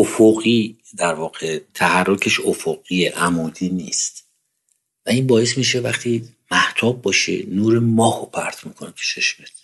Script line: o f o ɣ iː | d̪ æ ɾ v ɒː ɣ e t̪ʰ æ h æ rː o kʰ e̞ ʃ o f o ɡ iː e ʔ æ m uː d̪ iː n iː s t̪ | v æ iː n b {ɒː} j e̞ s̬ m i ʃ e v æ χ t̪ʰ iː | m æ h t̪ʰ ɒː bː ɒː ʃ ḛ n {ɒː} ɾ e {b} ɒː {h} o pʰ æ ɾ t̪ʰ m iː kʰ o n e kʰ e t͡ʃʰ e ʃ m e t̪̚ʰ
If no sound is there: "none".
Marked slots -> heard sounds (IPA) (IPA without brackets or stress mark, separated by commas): ɒː, uː, m, h